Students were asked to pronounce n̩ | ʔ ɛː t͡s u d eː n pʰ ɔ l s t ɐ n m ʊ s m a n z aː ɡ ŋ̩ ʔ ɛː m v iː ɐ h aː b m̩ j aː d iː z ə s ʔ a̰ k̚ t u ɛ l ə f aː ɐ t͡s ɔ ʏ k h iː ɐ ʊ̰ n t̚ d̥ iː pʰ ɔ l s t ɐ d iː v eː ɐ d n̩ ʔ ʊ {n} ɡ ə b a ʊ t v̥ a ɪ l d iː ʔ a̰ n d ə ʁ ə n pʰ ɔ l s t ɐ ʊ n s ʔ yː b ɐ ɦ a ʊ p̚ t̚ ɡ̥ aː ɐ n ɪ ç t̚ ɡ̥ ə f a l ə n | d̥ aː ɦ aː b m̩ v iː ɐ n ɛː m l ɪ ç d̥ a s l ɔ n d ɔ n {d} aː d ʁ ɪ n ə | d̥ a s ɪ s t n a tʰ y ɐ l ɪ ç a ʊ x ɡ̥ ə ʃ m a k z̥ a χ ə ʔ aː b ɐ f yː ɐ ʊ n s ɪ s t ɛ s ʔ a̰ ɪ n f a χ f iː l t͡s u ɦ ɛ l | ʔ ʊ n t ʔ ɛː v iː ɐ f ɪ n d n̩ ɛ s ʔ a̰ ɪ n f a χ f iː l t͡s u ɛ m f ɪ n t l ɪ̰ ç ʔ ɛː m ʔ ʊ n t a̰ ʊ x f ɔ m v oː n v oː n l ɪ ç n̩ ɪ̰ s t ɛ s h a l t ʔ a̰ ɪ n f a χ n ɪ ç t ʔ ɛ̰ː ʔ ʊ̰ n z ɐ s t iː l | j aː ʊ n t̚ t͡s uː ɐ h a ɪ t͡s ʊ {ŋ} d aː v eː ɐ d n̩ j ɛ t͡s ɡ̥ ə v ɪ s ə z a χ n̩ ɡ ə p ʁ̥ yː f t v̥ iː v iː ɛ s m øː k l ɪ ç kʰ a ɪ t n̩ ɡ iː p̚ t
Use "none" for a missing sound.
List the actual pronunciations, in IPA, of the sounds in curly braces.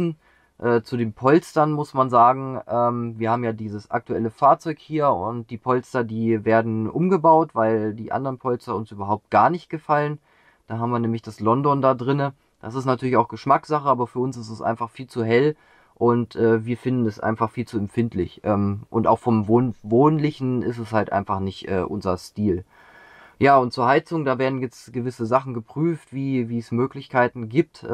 m, d, ŋ

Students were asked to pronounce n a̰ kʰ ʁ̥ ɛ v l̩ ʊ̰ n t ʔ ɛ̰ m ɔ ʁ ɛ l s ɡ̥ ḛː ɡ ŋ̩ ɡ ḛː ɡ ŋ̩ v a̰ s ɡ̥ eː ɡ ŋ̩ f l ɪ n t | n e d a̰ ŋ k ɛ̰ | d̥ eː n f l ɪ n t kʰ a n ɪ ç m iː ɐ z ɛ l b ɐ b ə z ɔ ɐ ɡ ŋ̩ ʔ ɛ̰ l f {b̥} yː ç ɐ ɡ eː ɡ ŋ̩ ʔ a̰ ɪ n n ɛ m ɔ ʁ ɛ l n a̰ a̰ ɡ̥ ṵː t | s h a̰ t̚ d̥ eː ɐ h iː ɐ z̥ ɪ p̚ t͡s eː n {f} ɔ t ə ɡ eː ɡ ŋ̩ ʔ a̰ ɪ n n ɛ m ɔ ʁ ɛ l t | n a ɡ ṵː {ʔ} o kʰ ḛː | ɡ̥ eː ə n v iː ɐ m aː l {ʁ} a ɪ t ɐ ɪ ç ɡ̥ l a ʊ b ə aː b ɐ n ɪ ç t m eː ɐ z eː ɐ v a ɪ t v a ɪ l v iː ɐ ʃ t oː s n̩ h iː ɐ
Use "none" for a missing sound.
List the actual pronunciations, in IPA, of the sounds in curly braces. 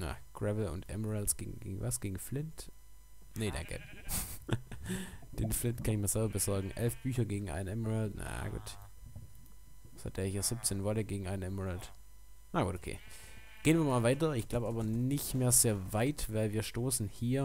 b̥, v, t, v

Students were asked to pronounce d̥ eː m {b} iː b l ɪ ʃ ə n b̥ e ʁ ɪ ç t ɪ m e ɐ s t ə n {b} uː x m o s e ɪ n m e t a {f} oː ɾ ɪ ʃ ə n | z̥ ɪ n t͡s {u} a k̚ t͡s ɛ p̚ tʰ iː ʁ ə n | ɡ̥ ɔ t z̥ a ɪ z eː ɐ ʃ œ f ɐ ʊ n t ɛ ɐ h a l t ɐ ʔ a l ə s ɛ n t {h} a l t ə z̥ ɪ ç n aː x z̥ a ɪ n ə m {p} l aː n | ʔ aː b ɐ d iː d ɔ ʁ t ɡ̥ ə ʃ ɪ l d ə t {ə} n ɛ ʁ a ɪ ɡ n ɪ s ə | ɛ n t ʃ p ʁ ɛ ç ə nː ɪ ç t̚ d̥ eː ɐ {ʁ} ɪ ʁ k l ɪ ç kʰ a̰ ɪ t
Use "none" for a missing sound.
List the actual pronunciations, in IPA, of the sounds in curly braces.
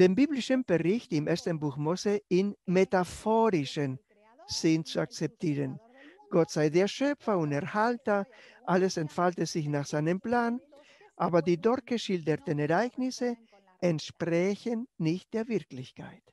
b, b, f, u, f, p, ə, v

